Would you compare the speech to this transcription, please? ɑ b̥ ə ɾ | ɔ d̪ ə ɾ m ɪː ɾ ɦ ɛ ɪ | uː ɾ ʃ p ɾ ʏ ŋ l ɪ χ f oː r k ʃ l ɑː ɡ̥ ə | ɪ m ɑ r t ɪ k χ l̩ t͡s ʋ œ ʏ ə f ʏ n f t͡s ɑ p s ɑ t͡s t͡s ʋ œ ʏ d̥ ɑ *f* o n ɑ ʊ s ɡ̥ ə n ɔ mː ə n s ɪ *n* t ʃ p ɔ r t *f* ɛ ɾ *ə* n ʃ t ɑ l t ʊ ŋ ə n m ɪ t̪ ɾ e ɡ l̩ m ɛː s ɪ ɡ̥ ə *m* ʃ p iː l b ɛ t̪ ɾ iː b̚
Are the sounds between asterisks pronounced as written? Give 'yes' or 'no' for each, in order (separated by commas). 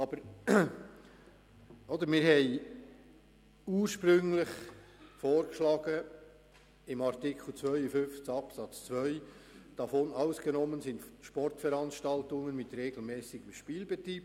yes, yes, yes, no, yes